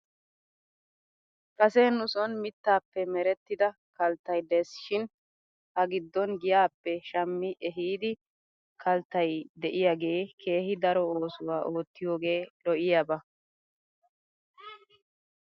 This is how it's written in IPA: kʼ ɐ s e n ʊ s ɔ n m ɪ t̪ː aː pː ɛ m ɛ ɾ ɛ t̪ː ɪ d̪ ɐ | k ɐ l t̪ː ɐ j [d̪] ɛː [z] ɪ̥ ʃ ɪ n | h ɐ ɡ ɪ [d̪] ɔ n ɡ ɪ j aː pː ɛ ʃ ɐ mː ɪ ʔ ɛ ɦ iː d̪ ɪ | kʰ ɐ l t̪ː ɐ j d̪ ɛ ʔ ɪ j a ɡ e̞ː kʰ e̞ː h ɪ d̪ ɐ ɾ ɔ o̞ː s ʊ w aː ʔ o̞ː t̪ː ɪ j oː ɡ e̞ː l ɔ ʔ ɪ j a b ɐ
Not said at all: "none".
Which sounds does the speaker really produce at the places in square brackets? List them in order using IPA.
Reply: d̪, s, d̪ː

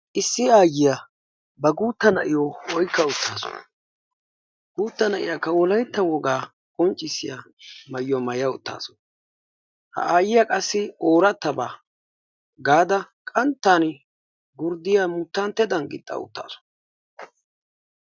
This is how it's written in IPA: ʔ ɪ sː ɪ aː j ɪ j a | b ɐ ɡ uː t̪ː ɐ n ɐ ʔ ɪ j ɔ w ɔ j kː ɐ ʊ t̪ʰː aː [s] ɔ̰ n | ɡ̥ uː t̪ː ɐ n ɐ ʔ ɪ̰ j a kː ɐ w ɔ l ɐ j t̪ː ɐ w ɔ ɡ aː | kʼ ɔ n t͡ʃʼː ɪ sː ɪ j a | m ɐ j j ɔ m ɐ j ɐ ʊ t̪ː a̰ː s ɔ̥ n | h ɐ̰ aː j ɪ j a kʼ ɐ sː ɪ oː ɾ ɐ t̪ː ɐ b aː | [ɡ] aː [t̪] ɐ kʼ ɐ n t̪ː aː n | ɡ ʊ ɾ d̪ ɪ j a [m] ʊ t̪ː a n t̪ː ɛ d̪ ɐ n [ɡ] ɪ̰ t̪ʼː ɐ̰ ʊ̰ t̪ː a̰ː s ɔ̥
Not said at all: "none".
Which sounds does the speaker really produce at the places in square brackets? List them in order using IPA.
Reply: s, ɡ, d̪, m, ɡ

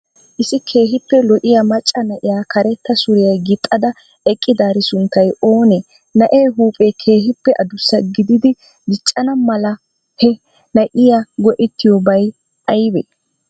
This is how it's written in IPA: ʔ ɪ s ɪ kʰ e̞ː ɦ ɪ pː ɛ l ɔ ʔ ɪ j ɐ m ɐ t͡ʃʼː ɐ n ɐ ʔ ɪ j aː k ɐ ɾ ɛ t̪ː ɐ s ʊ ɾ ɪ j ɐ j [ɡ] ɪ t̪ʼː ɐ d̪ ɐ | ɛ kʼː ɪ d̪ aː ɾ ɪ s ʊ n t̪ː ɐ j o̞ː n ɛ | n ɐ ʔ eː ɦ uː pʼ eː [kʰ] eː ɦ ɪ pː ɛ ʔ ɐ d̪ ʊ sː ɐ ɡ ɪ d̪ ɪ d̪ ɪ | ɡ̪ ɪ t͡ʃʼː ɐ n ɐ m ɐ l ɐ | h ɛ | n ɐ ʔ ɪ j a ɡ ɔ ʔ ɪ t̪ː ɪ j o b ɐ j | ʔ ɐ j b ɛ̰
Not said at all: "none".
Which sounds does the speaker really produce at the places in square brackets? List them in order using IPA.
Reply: ɡ, kʰ

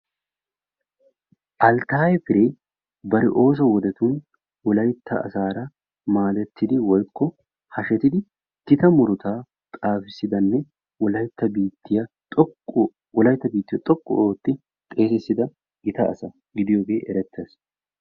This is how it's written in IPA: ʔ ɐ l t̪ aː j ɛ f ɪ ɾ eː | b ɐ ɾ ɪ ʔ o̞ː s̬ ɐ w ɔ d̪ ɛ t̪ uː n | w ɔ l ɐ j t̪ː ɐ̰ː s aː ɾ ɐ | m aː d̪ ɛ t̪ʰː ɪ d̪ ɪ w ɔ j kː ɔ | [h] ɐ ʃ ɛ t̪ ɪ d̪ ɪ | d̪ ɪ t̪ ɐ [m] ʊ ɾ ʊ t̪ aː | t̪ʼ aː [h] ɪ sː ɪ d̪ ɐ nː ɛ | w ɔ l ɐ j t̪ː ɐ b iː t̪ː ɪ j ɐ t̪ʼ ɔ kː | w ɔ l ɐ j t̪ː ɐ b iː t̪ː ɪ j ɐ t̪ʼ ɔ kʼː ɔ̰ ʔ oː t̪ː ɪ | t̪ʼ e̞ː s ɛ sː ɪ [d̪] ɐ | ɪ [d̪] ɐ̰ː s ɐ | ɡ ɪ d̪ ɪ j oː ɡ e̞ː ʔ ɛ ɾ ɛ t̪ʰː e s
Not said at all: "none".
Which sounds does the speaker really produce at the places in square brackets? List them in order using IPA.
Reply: h, m, f, d̪, t̪

